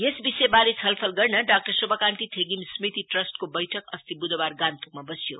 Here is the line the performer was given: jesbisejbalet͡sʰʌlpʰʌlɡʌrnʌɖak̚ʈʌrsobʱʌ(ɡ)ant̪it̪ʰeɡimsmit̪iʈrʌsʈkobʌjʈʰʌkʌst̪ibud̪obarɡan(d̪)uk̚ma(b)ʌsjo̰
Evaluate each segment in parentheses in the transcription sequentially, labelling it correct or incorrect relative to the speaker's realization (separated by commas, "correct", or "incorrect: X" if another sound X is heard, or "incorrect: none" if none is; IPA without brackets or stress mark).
incorrect: k, incorrect: t̪, correct